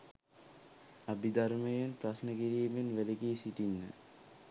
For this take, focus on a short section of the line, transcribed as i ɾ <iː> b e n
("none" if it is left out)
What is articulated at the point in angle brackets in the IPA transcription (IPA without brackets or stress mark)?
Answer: iː